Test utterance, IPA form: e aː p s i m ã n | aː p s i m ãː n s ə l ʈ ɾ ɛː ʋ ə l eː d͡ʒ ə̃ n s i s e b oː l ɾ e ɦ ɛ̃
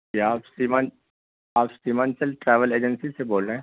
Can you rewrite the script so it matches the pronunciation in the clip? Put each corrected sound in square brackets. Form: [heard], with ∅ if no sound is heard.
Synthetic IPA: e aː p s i m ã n | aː p s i m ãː n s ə l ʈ ɾ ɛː ʋ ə l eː d͡ʒ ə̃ n s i s e b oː l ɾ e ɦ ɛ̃